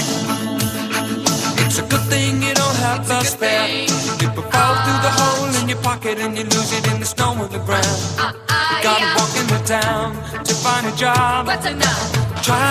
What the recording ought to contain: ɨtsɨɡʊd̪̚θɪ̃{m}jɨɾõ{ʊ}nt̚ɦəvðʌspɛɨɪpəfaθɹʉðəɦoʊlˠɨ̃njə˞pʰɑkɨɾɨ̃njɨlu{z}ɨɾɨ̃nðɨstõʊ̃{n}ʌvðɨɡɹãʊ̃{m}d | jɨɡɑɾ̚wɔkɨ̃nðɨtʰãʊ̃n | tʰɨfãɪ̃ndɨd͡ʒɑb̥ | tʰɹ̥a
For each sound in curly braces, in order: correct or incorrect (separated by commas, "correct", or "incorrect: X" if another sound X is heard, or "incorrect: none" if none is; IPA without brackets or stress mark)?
incorrect: ŋ, incorrect: ʊ̃, correct, incorrect: m, incorrect: n